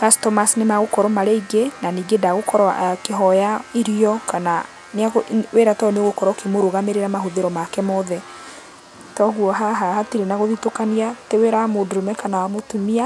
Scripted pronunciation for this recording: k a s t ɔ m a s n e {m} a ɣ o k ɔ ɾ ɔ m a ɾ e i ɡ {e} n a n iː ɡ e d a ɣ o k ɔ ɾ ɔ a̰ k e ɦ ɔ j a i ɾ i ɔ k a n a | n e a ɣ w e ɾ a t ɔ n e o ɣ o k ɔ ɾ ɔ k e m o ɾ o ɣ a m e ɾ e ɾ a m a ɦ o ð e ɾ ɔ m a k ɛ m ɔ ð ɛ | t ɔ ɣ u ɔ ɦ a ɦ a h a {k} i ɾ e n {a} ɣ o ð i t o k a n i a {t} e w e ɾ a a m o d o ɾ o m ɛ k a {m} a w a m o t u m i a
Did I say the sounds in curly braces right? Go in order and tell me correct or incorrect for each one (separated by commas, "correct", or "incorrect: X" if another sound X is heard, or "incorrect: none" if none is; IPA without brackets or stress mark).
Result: correct, correct, incorrect: t, correct, correct, incorrect: n